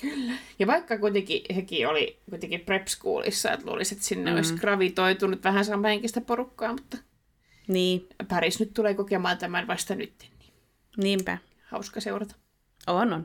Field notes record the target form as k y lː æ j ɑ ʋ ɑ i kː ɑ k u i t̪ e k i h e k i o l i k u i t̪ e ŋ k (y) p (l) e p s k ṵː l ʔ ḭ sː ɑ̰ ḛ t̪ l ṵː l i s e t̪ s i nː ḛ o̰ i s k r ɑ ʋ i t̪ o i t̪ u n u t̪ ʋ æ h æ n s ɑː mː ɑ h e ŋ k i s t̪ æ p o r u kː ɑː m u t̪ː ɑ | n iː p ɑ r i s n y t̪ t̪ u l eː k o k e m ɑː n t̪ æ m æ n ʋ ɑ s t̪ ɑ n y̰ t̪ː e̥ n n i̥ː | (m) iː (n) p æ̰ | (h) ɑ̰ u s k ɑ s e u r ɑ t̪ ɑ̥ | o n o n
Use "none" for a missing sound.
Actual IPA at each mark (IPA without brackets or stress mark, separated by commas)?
i, r, n, m, h